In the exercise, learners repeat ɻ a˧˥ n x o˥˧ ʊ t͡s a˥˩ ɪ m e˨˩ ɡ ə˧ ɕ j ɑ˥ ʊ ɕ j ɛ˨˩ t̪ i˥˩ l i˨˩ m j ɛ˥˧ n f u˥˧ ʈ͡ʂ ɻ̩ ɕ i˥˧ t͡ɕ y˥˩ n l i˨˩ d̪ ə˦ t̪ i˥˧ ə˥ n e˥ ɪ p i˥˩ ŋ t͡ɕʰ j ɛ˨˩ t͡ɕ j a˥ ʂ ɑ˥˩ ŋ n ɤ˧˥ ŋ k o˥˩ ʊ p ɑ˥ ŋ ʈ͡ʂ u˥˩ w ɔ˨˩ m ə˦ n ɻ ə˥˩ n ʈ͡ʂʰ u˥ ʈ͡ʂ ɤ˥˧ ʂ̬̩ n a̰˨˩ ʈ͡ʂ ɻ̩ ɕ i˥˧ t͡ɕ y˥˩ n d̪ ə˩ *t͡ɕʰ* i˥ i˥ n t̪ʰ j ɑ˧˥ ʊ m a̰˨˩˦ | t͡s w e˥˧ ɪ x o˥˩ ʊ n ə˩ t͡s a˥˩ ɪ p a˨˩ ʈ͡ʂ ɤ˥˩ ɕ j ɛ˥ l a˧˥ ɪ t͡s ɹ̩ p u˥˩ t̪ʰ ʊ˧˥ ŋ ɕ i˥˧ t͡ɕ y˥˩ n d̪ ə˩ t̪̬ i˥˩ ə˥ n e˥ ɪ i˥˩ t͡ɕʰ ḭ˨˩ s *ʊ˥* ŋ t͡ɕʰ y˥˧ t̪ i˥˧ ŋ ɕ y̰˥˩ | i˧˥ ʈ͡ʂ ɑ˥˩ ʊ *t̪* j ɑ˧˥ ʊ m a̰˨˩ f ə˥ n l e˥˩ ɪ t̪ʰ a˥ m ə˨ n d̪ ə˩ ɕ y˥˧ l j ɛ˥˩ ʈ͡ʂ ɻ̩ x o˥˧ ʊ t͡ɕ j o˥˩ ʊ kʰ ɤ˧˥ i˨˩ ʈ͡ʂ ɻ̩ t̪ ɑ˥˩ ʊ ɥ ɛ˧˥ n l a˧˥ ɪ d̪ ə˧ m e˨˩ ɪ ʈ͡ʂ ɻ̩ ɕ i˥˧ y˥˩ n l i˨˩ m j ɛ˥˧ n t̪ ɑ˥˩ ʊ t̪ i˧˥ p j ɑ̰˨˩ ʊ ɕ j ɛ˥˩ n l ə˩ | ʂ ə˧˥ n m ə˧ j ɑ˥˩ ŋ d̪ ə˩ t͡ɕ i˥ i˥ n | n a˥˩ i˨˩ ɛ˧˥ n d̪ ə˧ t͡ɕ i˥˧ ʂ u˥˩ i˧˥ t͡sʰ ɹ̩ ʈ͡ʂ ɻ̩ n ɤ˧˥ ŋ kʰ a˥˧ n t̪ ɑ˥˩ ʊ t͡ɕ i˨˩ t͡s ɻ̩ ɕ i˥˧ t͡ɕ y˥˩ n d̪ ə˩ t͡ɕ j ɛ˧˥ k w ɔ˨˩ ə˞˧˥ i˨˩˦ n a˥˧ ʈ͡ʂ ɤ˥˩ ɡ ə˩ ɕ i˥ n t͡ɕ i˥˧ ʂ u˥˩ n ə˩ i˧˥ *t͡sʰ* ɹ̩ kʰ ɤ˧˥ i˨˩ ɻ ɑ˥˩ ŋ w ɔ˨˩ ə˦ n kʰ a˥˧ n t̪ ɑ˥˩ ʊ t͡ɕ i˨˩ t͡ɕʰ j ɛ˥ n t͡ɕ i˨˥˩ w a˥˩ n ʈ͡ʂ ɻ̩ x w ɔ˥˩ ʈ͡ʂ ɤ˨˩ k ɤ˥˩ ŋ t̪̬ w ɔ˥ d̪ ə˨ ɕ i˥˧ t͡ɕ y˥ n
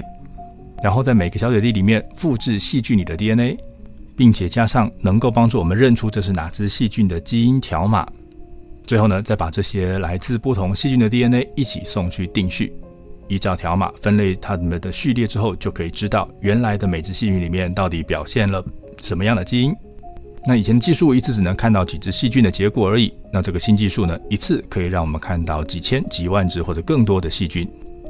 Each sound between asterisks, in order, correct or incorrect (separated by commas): incorrect, incorrect, incorrect, correct